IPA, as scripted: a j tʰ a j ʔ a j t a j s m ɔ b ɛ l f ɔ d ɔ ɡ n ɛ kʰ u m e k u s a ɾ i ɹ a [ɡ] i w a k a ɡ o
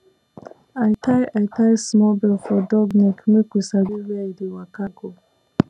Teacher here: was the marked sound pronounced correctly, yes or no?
no